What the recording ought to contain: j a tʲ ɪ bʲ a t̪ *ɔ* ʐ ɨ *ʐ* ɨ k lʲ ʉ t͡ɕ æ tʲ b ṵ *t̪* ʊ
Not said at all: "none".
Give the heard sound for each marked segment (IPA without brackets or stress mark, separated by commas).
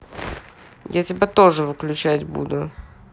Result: o, v, d̪